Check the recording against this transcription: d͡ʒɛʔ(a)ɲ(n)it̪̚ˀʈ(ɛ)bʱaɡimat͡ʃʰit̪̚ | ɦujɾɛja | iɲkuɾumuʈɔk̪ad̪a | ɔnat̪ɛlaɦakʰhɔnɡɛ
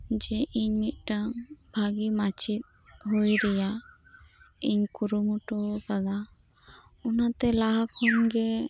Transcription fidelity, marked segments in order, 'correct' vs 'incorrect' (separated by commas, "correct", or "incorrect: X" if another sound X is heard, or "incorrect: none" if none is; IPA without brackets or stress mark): incorrect: i, incorrect: m, incorrect: a